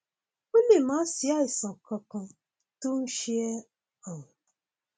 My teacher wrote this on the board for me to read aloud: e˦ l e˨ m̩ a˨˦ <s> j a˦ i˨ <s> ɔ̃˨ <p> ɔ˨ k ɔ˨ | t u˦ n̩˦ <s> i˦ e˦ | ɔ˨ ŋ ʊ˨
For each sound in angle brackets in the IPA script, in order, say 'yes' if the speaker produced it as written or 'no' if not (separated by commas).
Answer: yes, yes, no, no